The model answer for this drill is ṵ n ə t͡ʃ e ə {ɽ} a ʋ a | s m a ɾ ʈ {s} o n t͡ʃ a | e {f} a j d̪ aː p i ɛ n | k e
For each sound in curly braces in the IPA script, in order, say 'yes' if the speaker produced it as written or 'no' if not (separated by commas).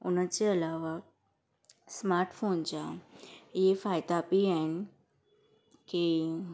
no, no, yes